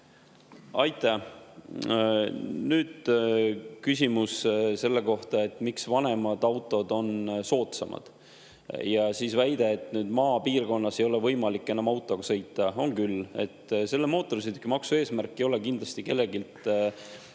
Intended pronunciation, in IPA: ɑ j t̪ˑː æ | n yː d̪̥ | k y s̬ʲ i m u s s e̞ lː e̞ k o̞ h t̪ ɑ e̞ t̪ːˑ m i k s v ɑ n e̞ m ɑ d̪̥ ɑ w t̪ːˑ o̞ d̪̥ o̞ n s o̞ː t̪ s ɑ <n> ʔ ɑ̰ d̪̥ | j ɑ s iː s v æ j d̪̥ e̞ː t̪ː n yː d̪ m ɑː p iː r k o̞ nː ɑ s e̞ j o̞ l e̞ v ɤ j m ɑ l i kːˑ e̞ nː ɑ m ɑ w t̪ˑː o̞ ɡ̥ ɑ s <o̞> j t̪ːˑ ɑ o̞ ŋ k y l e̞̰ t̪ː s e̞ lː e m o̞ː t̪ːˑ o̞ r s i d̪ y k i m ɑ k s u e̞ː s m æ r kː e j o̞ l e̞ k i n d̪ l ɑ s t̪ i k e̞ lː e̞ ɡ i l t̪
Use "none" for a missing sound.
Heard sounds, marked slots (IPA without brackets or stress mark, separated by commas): m, ɤ̞